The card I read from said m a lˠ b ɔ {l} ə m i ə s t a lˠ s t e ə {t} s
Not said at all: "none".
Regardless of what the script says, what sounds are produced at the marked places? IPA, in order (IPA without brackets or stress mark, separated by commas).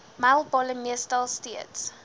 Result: l, t